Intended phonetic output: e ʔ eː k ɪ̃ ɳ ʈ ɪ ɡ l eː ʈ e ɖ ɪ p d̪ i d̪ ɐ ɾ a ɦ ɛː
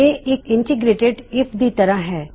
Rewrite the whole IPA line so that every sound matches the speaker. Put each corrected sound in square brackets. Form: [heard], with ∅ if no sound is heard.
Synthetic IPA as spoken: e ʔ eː k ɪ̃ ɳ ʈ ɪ ɡ [ɾ] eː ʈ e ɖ ɪ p d̪ i [t̪] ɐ ɾ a ɦ ɛː